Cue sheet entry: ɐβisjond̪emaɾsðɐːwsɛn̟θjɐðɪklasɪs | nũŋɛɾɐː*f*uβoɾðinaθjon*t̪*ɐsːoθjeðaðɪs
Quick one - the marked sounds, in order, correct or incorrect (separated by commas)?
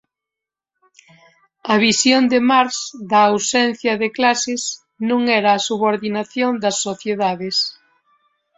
incorrect, incorrect